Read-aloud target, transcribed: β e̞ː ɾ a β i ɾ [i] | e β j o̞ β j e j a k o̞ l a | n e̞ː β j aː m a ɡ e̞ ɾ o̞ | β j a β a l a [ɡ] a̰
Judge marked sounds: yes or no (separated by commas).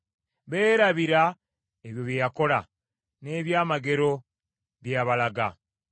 no, yes